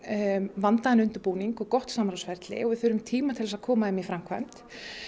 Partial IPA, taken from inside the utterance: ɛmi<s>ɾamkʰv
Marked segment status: incorrect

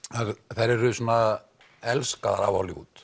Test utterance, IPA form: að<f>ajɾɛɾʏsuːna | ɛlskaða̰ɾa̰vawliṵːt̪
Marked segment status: incorrect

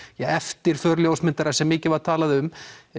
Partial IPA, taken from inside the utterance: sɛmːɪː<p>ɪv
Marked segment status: incorrect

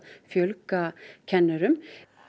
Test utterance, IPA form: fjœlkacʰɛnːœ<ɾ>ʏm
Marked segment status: correct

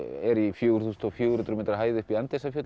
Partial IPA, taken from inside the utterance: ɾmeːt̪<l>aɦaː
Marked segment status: incorrect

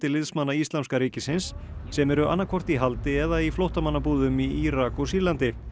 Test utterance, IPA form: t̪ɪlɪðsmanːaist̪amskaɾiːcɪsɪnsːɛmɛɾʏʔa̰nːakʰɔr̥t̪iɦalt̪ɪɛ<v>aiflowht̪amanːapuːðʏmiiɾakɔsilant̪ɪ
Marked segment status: incorrect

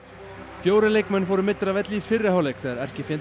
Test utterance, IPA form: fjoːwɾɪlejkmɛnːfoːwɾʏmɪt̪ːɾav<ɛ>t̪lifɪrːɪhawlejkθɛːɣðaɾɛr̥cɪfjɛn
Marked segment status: correct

